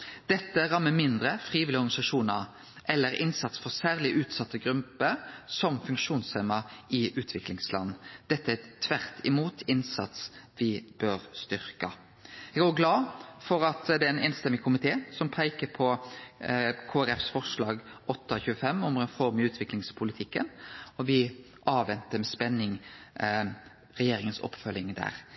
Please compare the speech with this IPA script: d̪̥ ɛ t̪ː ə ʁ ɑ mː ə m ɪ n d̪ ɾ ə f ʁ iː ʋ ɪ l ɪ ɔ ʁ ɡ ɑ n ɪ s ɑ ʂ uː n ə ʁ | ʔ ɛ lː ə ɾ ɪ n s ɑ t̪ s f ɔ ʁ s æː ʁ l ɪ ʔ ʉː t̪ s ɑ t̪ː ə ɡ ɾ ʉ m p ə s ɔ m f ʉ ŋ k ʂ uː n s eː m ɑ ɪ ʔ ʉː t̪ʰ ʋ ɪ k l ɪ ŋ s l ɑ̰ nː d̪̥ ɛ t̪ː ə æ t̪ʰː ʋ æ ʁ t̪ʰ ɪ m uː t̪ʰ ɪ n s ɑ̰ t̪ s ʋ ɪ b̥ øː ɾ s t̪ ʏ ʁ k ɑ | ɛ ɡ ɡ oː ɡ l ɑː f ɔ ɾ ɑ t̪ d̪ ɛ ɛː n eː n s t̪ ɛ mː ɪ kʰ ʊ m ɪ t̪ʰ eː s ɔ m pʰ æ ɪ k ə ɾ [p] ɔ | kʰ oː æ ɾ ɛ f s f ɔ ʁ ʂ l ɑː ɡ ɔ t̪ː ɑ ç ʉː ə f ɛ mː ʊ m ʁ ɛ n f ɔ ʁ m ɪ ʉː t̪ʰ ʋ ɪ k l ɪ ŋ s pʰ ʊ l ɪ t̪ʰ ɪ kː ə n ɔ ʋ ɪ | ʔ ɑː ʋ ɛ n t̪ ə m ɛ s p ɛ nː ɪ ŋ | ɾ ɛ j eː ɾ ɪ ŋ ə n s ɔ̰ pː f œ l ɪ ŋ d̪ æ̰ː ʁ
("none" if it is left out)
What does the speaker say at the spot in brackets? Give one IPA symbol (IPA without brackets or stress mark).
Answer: pʰ